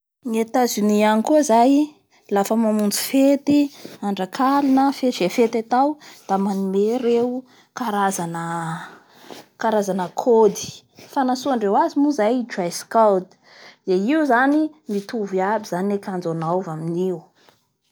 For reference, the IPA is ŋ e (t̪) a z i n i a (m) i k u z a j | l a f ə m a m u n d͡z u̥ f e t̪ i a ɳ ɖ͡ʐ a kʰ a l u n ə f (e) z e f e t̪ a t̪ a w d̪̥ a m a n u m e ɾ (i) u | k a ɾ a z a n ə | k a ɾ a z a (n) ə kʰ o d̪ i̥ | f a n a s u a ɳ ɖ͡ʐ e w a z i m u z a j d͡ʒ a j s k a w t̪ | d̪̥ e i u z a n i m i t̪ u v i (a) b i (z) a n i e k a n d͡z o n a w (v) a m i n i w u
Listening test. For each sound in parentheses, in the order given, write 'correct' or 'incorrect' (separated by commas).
correct, incorrect, correct, incorrect, correct, correct, correct, correct